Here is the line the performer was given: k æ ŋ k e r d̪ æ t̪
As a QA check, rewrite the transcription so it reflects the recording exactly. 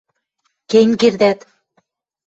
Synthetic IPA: k e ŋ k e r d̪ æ t̪